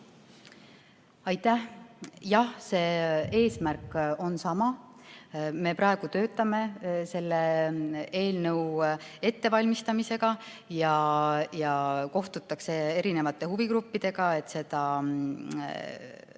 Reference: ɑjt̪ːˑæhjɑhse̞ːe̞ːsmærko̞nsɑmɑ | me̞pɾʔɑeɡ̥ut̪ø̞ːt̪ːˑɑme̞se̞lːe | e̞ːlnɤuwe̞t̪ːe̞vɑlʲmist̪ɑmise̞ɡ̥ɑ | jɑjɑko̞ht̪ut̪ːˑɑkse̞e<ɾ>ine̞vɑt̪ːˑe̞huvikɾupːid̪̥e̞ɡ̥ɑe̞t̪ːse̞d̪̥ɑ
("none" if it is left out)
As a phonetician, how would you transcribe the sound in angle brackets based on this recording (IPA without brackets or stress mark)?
ɾ